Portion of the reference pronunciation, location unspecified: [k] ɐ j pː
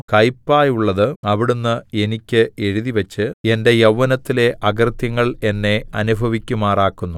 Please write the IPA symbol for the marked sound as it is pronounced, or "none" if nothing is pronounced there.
k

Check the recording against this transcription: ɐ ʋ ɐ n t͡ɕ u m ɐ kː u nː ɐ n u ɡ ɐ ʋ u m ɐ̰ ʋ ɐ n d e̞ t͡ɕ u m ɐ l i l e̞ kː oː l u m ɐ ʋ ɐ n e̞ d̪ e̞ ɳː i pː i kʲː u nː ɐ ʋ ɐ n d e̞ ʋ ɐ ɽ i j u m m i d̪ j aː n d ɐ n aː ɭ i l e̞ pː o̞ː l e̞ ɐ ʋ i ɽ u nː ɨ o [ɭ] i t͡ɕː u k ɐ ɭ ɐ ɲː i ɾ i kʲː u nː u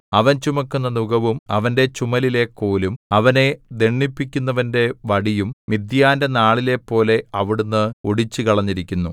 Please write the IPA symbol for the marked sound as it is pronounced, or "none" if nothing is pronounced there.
ɽ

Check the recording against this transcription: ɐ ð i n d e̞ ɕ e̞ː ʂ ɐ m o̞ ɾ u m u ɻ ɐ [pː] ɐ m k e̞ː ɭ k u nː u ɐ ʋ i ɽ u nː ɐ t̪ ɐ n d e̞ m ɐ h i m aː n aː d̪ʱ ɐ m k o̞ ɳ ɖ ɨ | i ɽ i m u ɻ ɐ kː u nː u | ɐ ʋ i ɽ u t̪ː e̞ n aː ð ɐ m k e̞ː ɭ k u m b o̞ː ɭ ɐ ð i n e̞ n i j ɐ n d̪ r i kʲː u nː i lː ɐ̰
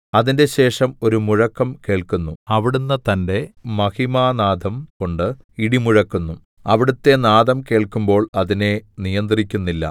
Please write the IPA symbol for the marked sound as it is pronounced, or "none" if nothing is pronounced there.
kː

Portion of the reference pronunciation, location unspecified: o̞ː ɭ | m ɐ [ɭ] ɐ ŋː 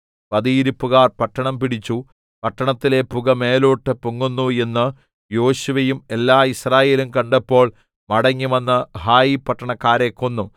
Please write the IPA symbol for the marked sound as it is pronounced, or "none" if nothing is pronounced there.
ɽ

